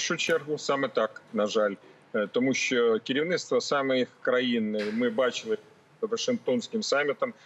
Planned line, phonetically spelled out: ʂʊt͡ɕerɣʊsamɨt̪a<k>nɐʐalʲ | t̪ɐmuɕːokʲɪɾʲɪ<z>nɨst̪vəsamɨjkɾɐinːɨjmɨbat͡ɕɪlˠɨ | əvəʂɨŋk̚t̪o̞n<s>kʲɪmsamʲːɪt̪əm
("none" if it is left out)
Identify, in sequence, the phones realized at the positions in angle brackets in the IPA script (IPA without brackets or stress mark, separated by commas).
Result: k, v, s